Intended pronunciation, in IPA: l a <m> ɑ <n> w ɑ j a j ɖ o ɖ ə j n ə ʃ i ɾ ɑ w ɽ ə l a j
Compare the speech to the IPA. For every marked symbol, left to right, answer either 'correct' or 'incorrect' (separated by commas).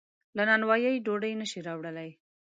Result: incorrect, correct